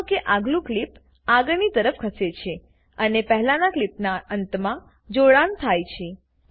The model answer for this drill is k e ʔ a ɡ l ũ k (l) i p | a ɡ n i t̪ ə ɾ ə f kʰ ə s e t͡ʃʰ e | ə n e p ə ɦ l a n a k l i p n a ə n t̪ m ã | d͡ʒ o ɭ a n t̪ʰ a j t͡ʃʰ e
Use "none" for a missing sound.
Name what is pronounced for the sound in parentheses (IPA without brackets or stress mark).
l